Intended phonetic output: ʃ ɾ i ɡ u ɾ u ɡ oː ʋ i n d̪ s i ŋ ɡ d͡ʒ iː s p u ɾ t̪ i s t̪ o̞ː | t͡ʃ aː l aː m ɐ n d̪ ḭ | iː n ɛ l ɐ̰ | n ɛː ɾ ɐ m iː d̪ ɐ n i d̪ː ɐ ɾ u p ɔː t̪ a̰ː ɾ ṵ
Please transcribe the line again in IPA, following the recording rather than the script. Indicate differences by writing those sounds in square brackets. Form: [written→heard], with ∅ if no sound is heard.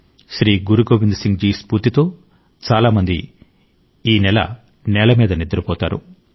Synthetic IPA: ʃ ɾ [i→iː] ɡ u ɾ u ɡ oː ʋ i n d̪ s i ŋ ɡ d͡ʒ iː s p u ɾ t̪ i [s→∅] t̪ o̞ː | t͡ʃ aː l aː m ɐ n d̪ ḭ | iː n ɛ l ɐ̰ | n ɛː [ɾ→l] ɐ m iː d̪ ɐ n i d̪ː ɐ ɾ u p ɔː t̪ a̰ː ɾ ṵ